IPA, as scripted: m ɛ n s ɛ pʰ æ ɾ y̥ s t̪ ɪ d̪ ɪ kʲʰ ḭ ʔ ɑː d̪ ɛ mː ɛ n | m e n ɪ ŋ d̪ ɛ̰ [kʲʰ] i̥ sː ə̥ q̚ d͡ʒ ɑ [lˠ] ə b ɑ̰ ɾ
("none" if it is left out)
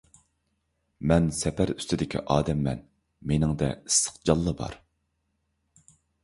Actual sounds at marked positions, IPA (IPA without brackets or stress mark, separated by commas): none, lˠː